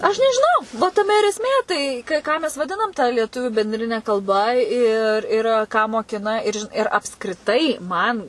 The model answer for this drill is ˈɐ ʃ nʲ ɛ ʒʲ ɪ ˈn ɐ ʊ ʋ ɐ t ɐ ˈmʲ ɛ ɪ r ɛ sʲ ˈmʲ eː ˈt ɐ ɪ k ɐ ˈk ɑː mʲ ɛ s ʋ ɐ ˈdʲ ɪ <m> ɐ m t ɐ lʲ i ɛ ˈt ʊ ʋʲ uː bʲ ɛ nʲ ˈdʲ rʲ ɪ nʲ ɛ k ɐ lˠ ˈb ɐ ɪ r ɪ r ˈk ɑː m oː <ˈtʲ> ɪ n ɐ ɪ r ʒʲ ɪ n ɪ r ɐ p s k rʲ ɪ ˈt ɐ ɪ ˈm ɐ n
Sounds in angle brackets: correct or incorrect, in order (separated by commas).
incorrect, incorrect